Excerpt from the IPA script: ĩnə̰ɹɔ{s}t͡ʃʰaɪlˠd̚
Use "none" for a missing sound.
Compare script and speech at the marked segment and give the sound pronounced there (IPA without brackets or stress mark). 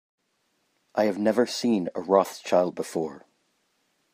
θ